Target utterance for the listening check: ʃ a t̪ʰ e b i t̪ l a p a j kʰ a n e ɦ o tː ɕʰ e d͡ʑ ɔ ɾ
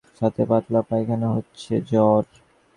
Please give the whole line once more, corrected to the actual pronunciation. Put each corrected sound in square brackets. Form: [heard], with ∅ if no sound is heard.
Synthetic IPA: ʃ a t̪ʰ e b [a] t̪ l a p a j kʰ a n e ɦ o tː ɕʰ e d͡ʑ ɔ ɾ